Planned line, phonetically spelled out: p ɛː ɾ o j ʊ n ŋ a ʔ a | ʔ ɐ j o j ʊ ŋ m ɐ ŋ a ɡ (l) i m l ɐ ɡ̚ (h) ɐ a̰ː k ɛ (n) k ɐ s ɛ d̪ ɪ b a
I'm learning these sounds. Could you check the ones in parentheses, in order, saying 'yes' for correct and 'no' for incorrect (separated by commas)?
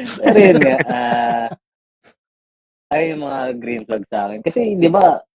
no, no, yes